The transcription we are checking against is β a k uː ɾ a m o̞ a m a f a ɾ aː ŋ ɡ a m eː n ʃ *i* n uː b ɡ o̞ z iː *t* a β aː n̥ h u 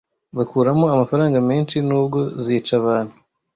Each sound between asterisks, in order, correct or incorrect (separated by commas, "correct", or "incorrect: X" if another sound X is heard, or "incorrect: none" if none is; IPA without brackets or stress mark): correct, incorrect: t͡ʃ